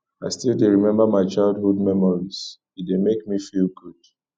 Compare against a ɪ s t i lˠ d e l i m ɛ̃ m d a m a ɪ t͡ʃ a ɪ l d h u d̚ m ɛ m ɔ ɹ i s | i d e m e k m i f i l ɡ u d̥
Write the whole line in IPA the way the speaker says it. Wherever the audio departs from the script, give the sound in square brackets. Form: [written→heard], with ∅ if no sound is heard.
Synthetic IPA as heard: a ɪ s t i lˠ d e [l→ɹ] i m ɛ̃ m [d→b] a m a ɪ t͡ʃ a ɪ l d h u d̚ m ɛ m ɔ ɹ i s | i d e m e k m i f i l ɡ u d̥